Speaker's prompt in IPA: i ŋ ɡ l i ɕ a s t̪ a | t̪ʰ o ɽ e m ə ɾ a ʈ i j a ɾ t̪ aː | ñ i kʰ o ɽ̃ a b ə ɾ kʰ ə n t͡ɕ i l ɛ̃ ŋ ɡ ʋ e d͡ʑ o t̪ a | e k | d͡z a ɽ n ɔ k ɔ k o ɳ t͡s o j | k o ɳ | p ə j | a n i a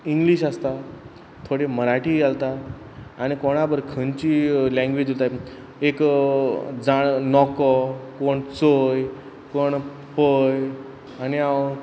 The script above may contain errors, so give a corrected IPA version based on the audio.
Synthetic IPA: i ŋ ɡ l i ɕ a s t̪ a | t̪ʰ o ɽ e m ə ɾ a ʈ i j a l t̪ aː | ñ i k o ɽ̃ a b ə ɾ kʰ ə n t͡ɕ i l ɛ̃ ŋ ɡ ʋ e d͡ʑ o t̪ a | e k | d͡z a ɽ n ɔ k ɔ k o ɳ t͡s o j | k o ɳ | p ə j | a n i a